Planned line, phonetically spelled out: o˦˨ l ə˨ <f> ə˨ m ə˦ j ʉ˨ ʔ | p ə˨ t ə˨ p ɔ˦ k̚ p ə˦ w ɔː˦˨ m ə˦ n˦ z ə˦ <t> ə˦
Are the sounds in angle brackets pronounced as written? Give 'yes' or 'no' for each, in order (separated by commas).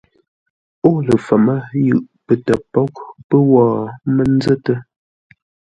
yes, yes